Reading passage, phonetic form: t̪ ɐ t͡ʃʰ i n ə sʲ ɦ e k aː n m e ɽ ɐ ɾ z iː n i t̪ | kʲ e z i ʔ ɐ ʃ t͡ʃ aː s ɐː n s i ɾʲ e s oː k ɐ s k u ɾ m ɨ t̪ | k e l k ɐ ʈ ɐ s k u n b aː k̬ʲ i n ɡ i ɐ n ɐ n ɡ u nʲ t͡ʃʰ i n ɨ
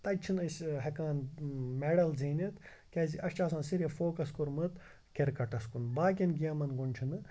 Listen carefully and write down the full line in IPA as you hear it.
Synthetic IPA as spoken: t̪ ɐ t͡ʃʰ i n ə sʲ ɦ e k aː n m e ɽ ɐ l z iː n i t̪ | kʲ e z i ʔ ɐ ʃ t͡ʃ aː s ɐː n s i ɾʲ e f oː k ɐ s k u ɾ m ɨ t̪ | k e ɾ k ɐ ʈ ɐ s k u n b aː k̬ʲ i n ɡ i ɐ m ɐ n ɡ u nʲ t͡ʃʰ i n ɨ